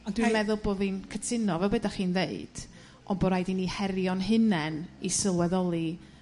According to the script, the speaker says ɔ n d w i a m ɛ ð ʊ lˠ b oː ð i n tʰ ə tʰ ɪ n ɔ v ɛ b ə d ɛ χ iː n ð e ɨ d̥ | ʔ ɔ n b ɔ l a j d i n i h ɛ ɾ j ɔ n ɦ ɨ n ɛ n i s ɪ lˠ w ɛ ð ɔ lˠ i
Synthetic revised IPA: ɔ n d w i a m ɛ ð ʊ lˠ b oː ð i n kʰ ə tʰ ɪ n ɔ v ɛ b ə d a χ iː n ð e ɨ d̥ | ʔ ɔ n b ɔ ɾ a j d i n i h ɛ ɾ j ɔ n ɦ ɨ n ɛ n i s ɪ lˠ w ɛ ð ɔ lˠ i